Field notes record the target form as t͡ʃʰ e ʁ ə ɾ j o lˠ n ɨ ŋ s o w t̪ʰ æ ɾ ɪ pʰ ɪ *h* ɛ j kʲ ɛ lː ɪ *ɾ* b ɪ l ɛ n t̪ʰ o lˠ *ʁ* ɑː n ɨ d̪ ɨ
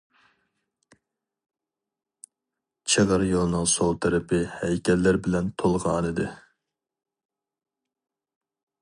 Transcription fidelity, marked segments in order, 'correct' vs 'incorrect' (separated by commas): correct, correct, correct